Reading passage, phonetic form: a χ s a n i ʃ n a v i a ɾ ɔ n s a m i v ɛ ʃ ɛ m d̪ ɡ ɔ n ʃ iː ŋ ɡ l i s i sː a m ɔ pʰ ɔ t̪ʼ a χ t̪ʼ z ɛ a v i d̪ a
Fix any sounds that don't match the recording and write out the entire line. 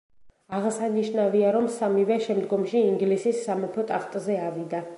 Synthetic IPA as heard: a ʁ s a n i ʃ n a v i a ɾ ɔ m s a m i v ɛ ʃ ɛ m d̪ ɡ ɔ m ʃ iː ŋ ɡ l i s i sː a m ɔ pʰ ɔ t̪ʼ a χ t̪ʼ z ɛ a v i d̪ a